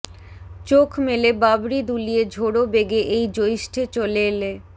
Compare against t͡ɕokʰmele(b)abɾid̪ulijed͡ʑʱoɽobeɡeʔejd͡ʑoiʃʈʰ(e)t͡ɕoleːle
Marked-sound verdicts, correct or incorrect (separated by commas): correct, correct